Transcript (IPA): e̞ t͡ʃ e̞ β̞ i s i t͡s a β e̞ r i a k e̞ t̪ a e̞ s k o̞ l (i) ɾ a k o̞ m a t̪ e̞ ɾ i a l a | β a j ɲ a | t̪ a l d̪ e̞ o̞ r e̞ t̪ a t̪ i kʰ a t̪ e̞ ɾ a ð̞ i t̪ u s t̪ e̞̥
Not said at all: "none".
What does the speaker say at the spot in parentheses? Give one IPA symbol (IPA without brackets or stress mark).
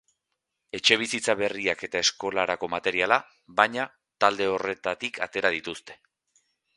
a